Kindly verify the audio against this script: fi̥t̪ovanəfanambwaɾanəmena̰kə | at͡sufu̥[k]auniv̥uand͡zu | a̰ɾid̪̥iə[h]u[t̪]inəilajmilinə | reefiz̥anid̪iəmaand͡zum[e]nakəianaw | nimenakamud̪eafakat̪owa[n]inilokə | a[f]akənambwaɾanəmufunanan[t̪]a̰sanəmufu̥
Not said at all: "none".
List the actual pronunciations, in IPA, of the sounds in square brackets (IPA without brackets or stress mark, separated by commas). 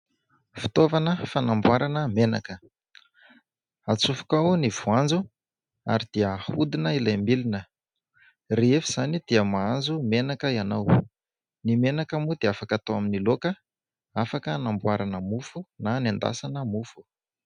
k, h, d̪, e, m, f, d̪